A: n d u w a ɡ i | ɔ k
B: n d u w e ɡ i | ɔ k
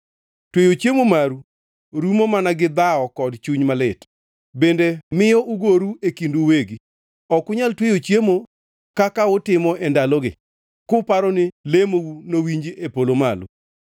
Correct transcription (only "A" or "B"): B